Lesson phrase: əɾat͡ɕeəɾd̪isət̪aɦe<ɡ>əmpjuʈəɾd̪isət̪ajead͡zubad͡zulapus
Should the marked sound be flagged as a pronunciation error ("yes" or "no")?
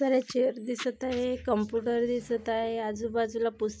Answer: yes